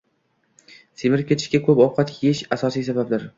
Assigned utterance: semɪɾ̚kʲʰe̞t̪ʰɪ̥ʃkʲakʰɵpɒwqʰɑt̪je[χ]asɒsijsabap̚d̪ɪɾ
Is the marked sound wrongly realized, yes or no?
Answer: yes